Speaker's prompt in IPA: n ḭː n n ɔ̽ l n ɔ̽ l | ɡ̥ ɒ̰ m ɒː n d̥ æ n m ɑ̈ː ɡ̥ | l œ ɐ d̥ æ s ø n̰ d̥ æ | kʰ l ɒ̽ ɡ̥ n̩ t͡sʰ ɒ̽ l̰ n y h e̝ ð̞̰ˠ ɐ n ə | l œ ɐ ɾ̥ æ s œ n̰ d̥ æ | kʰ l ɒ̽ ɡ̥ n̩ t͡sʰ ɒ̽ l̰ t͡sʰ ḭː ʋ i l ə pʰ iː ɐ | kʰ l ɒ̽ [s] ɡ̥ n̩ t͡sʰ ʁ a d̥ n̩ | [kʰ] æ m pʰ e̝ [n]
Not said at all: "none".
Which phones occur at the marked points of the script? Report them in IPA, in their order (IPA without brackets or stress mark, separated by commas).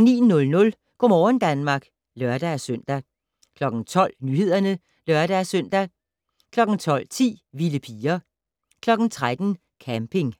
none, kʰ, ŋ